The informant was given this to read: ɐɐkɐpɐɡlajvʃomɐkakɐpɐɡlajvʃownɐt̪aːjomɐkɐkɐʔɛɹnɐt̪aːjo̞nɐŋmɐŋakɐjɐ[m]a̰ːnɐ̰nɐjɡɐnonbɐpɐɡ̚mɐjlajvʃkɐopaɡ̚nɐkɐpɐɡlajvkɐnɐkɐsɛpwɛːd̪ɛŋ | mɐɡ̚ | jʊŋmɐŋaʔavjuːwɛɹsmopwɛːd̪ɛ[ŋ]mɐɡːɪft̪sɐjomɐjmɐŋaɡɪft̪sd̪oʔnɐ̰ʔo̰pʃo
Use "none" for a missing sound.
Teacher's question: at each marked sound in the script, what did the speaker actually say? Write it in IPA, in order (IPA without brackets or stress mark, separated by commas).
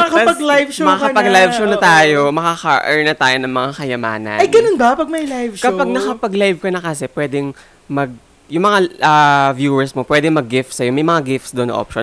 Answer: m, ŋ